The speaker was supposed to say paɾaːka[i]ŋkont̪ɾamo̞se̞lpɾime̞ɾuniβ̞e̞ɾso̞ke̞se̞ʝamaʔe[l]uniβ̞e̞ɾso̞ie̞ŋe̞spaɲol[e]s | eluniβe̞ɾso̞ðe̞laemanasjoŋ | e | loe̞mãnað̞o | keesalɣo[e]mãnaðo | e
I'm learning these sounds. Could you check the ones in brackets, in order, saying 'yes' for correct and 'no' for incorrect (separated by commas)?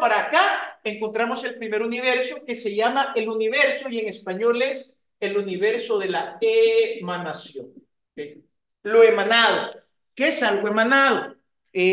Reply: no, yes, yes, yes